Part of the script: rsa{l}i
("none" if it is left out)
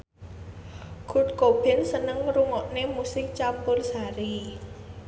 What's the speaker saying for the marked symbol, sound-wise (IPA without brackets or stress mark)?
ɾ